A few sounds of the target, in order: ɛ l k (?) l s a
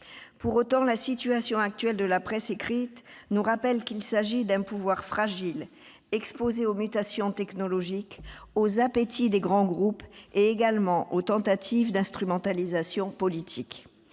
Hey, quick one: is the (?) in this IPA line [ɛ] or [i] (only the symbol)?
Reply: i